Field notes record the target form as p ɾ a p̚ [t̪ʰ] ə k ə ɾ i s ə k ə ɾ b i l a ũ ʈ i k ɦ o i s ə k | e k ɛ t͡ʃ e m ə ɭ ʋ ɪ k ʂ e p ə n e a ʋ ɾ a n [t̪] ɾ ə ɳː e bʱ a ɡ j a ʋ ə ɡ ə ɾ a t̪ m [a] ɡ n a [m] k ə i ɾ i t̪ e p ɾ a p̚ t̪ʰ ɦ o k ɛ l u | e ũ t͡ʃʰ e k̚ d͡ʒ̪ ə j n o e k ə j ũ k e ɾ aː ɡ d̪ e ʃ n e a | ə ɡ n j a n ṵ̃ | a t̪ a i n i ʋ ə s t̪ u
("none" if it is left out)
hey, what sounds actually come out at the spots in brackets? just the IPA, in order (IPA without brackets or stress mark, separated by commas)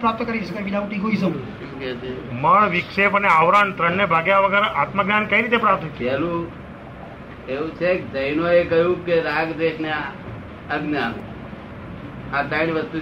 t̪, t̪, ə, n